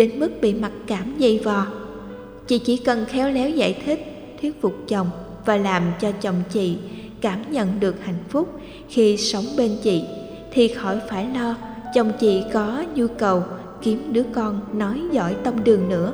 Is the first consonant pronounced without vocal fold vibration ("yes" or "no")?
no